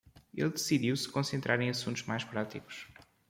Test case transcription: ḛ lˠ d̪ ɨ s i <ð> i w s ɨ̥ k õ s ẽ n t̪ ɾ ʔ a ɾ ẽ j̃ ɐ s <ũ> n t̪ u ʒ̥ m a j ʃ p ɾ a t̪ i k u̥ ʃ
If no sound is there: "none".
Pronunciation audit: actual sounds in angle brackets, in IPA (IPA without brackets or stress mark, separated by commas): ð, ũ